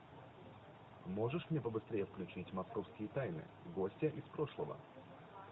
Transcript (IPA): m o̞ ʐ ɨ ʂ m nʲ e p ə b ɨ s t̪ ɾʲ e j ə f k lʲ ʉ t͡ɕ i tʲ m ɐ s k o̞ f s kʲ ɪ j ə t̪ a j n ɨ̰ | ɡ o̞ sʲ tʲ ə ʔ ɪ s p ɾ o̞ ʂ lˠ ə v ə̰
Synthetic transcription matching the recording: m o̞ ʐ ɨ ʂ m nʲ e p ə b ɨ s t̪ ɾʲ e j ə f k lʲ ʉ t͡ɕ i tʲ m ɐ s k o̞ f s kʲ ɪ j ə t̪ a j n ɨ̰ | ɡ o̞ sʲ tʲ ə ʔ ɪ s p ɾ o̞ ʂ lˠ ə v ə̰

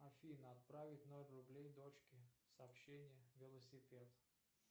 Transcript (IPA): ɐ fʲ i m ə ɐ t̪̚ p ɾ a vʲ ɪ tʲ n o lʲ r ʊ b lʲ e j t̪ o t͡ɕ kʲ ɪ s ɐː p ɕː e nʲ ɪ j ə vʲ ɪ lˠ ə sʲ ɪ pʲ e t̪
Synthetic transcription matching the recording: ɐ fʲ i n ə ɐ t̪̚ p ɾ a vʲ ɪ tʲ n o lʲ r ʊ b lʲ e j d̪ o t͡ɕ kʲ ɪ s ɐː p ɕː e nʲ ɪ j ə vʲ ɪ lˠ ə sʲ ɪ pʲ e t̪

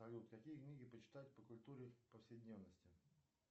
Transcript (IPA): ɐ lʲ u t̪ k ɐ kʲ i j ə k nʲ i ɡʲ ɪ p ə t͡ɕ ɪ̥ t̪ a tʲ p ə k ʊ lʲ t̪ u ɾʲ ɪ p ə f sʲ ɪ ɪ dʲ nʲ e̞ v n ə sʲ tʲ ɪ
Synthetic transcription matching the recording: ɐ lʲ u t̪ k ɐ kʲ i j ə k nʲ i ɡʲ ɪ p ə t͡ɕ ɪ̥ t̪ a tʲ p ə k ʊ lʲ t̪ u ɾʲ ɪ p ə f sʲ ɪ ɪ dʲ nʲ e̞ v n ə sʲ tʲ ɪ

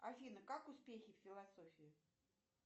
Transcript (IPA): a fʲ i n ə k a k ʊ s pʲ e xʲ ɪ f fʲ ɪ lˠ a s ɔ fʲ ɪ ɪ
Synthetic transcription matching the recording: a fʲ i n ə k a k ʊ s pʲ e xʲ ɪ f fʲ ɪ lˠ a s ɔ fʲ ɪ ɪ

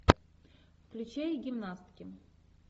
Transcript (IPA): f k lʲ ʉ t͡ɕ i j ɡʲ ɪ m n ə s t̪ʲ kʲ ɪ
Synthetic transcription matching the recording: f k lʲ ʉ t͡ɕ e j ɡʲ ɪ m n a s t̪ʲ kʲ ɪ

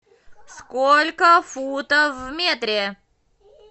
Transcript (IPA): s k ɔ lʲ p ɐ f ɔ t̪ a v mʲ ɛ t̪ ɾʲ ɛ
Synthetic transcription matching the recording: s k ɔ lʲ k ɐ f u t̪ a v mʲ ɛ t̪ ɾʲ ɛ

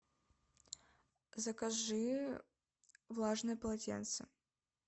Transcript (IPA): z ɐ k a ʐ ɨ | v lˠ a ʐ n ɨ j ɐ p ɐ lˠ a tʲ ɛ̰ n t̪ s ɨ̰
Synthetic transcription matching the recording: z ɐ k a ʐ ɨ | v lˠ a ʐ n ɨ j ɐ p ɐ lˠ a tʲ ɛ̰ n t̪ s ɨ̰

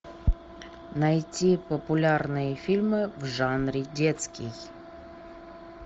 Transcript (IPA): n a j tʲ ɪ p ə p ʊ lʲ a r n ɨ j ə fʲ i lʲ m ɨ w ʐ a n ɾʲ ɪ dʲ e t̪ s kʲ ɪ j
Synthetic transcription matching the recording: n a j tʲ i p ə p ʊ lʲ a r n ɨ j ə fʲ i lʲ m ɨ v ʐ a n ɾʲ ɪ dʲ e t̪ s kʲ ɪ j

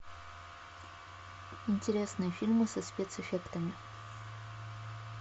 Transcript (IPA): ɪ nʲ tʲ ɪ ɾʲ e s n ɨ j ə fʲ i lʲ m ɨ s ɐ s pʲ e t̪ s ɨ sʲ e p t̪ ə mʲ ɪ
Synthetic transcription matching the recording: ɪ nʲ tʲ ɪ ɾʲ e s n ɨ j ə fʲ i lʲ m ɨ s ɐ s pʲ e t̪ s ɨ fʲ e k t̪ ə mʲ ɪ

